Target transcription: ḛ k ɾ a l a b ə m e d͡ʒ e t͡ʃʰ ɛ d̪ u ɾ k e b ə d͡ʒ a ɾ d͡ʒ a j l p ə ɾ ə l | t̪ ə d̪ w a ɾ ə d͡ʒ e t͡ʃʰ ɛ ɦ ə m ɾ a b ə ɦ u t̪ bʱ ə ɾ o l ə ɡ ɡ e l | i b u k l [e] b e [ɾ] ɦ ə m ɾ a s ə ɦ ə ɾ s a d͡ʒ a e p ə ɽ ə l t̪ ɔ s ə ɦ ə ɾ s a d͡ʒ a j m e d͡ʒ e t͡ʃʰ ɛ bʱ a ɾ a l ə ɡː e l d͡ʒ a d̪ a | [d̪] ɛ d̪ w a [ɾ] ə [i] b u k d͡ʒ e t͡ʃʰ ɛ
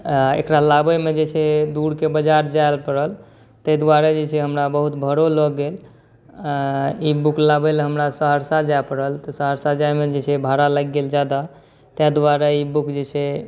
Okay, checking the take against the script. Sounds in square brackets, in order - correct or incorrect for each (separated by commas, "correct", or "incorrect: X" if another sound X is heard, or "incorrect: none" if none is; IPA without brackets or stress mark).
incorrect: a, incorrect: l, incorrect: t̪, correct, correct